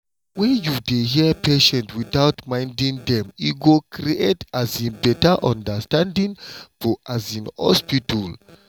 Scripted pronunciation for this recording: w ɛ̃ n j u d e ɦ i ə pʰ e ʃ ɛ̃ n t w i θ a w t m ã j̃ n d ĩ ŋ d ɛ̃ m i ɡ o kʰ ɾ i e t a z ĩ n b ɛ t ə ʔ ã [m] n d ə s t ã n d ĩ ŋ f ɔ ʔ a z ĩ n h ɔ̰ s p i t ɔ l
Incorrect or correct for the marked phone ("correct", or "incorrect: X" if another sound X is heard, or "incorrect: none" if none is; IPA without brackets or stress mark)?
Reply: incorrect: none